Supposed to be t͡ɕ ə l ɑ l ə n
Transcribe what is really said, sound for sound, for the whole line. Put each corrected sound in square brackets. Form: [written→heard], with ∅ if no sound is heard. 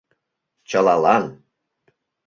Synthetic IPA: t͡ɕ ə l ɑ l [ə→ɑ] n